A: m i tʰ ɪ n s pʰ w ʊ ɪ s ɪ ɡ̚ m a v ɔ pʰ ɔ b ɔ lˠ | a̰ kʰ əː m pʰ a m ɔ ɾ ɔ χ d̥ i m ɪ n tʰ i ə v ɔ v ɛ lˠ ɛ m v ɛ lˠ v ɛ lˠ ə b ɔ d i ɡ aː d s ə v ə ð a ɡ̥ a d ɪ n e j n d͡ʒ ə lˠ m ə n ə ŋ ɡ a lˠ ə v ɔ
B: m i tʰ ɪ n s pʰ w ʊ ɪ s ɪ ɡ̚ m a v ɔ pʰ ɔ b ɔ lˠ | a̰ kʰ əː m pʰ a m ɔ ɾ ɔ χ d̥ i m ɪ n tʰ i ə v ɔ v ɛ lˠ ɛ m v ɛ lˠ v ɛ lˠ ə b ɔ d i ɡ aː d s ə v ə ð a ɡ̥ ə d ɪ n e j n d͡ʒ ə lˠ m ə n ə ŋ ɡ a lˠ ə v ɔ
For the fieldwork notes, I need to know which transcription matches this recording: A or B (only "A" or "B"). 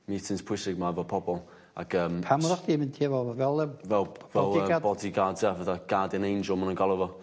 A